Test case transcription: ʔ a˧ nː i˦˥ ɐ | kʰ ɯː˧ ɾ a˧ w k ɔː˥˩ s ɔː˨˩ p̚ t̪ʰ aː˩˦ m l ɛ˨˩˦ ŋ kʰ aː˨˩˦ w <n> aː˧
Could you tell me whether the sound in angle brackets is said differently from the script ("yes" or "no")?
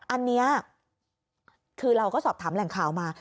yes